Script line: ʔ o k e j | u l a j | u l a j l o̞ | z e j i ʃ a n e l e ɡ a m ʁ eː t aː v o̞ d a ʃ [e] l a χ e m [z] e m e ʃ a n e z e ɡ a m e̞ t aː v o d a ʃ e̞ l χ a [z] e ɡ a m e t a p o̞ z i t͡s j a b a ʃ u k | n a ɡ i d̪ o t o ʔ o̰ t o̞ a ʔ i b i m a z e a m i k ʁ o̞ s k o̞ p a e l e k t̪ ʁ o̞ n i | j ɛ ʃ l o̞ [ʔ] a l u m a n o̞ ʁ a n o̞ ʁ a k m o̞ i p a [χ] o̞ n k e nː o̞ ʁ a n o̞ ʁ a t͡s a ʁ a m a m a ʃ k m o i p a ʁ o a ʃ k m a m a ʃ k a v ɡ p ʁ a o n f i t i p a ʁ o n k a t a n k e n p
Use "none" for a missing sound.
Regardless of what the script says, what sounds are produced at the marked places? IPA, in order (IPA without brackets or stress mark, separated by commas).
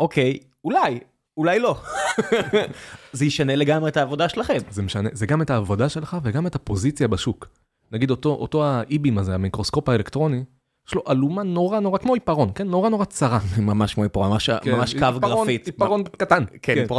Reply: e, z, v, ʔ, ʁ